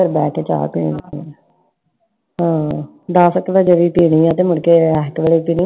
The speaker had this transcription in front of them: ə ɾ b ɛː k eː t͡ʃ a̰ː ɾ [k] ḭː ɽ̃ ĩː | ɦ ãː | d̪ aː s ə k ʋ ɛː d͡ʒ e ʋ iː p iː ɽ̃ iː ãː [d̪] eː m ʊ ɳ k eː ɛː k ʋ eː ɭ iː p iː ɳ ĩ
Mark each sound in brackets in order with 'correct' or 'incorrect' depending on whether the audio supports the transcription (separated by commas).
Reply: incorrect, incorrect